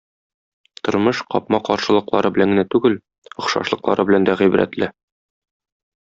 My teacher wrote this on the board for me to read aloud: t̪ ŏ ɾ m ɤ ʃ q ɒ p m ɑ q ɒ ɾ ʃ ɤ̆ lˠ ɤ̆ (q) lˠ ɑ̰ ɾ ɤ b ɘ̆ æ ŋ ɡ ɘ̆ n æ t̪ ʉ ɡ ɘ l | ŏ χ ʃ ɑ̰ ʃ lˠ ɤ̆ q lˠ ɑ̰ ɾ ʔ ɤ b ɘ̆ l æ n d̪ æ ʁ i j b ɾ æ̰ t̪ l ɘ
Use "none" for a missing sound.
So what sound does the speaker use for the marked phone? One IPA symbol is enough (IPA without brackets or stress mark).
q